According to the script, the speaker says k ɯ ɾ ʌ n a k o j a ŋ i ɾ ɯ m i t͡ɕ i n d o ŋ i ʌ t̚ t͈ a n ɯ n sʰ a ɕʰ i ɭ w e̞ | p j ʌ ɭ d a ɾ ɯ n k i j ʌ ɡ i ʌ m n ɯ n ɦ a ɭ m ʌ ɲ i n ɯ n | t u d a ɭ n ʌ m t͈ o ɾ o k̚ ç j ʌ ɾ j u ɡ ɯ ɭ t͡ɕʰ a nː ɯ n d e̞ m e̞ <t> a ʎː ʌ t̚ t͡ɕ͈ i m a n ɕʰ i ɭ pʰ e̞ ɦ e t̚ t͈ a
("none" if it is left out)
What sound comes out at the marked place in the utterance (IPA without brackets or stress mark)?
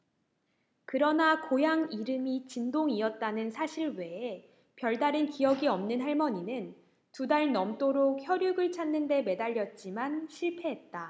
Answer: d